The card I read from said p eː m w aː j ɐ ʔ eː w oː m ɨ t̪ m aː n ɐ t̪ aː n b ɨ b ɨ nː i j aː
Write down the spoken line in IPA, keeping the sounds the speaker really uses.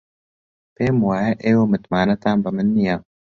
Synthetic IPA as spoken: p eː m w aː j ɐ ʔ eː w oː m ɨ t̪ m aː n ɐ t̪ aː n b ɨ m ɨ nː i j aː